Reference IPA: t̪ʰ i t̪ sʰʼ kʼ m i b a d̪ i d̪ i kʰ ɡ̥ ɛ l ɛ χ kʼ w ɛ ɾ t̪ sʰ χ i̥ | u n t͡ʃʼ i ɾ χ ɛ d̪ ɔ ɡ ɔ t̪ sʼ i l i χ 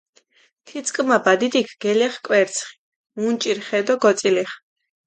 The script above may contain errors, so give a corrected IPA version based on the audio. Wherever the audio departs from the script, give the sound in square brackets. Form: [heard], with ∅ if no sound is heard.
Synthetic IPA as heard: t̪ʰ i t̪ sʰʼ kʼ m [a] b a d̪ i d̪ i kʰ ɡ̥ ɛ l ɛ χ kʼ w ɛ ɾ t̪ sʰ χ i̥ | u n t͡ʃʼ i ɾ χ ɛ d̪ ɔ ɡ ɔ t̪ sʼ i l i χ